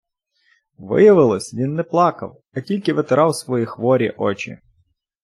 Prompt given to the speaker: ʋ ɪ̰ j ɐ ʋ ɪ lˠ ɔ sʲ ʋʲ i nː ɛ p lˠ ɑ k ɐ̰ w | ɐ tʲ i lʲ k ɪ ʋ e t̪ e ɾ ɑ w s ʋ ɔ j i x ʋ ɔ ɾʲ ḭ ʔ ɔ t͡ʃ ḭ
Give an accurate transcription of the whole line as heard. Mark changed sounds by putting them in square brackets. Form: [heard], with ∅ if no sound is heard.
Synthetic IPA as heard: ʋ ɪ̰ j ɐ ʋ ɪ lˠ ɔ sʲ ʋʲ i nː ɛ p lˠ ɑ k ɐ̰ w | ɐ tʲ i lʲ k ɪ ʋ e t̪ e ɾ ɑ w s ʋ ɔ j i x ʋ ɔ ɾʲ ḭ ʔ ɔ t͡ʃ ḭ